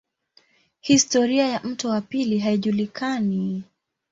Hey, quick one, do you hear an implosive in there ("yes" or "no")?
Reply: yes